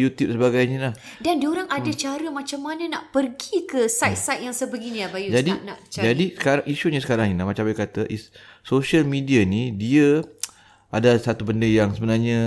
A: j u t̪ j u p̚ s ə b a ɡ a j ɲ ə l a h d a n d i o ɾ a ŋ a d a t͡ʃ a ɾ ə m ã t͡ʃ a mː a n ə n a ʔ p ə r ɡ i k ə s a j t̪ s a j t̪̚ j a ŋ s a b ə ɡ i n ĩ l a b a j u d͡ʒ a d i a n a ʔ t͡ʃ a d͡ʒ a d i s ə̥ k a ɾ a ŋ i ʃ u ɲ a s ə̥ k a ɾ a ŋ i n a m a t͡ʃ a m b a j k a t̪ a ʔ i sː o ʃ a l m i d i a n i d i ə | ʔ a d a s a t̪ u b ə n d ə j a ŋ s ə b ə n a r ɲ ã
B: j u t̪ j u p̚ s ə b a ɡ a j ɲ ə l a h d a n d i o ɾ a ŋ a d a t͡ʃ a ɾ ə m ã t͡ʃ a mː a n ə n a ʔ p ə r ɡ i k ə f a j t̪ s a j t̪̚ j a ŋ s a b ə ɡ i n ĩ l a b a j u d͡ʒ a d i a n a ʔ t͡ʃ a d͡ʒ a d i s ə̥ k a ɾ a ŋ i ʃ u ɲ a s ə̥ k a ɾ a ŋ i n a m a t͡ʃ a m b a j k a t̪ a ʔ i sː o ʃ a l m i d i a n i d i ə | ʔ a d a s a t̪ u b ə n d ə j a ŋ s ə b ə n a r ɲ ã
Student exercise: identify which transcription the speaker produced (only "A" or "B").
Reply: A